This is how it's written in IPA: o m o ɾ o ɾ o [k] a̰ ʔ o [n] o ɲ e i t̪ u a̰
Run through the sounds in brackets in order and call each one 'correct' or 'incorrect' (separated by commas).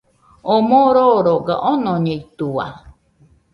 incorrect, correct